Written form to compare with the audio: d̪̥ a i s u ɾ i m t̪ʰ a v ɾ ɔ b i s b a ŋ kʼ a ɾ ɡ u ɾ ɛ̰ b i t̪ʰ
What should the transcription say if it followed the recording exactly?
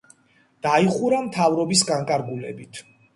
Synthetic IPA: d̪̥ a i χ u ɾ a m t̪ʰ a v ɾ ɔ b i s ɡ a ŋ kʼ a ɾ ɡ u l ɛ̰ b i t̪ʰ